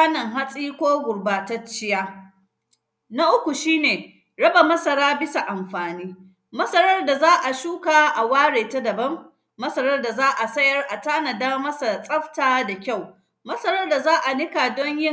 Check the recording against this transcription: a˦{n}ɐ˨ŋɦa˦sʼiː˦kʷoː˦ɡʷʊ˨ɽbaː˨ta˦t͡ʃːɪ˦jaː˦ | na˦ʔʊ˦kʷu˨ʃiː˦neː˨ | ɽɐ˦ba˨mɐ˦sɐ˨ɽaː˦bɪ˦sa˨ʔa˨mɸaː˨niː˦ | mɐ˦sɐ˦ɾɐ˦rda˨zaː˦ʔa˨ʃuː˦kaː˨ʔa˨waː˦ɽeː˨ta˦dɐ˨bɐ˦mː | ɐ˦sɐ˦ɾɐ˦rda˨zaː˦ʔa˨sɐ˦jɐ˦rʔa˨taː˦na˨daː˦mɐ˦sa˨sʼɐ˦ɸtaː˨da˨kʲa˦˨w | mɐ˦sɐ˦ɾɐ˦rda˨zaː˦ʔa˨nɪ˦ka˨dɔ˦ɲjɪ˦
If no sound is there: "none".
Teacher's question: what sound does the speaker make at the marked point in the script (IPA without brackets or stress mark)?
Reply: n